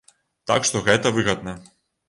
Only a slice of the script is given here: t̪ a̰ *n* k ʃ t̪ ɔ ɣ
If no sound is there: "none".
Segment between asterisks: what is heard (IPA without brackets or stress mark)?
none